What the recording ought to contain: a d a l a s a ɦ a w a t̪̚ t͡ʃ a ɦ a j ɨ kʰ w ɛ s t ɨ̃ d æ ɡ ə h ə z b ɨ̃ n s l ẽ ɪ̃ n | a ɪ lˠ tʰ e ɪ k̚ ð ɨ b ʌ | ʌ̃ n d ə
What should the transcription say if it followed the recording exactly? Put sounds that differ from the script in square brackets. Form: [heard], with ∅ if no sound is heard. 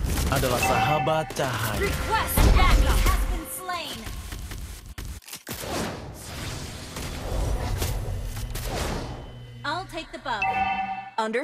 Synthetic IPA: a d a l a s a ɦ a [b] a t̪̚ t͡ʃ a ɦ a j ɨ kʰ w ɛ s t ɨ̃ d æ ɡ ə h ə z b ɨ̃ n s l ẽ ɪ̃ n | a ɪ lˠ tʰ e ɪ k̚ ð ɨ b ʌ | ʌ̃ n d ə